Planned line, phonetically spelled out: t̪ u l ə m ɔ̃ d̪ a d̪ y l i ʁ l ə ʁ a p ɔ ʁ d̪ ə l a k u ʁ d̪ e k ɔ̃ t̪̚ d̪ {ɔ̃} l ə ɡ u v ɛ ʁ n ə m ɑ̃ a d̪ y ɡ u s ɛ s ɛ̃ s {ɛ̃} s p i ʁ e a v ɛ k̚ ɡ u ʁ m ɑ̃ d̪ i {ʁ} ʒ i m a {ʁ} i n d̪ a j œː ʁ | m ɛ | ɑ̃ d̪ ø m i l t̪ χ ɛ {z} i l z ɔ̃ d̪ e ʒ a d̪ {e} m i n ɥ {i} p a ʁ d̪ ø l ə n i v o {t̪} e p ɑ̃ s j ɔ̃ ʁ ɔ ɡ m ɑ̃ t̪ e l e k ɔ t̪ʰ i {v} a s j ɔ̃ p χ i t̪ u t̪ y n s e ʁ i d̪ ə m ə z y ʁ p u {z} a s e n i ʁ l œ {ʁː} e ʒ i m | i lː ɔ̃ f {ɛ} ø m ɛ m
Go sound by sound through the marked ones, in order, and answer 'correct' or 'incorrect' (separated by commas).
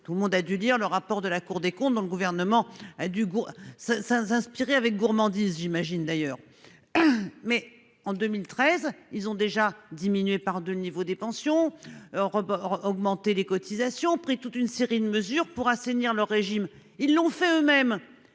correct, correct, incorrect, incorrect, correct, incorrect, incorrect, incorrect, incorrect, incorrect, correct, correct